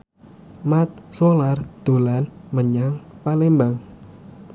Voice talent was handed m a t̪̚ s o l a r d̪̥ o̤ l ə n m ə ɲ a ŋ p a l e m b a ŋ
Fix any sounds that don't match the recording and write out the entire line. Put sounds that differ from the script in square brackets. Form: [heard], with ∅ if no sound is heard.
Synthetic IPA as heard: m a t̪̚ s o l a r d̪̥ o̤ l [a] n m ə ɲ a ŋ p a l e m b a ŋ